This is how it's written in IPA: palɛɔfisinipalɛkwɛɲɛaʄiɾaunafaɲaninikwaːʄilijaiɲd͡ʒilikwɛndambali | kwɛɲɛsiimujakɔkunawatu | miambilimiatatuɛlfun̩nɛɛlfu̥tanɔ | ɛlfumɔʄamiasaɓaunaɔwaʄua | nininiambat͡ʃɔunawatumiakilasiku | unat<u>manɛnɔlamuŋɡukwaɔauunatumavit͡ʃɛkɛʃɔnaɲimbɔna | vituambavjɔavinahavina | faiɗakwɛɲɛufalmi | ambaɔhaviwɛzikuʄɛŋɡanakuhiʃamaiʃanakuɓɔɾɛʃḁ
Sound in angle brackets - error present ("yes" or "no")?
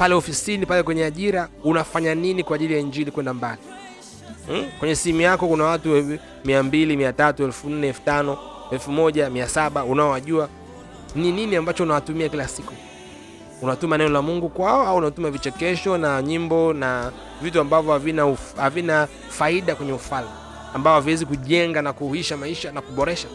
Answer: no